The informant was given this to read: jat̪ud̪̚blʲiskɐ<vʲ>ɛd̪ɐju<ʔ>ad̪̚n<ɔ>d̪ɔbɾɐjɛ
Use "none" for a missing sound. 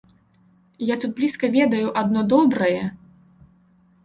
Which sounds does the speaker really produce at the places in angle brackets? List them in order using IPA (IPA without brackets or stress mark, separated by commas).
vʲ, ʔ, ɔ